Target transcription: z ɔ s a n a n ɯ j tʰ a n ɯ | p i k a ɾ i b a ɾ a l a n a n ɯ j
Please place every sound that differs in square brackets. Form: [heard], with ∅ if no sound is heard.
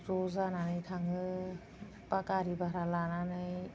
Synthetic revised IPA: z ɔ [z] a n a n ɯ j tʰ a [ŋ] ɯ | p [a] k a ɾ i b a ɾ a l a n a n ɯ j